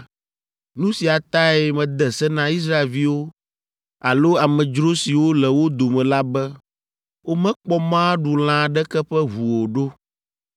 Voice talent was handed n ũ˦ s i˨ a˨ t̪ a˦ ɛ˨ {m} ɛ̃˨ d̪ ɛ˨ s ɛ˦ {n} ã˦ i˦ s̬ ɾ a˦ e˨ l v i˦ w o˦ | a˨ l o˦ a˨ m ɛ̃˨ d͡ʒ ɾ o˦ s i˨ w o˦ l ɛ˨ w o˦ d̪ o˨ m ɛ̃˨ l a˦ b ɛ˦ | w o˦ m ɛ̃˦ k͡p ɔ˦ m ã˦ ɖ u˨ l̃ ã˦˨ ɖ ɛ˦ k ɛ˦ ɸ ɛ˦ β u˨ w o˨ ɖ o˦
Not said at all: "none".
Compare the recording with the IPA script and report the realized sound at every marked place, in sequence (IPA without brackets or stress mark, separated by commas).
m, n